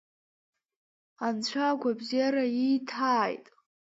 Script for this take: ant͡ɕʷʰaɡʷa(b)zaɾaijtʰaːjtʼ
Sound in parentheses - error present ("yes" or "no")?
no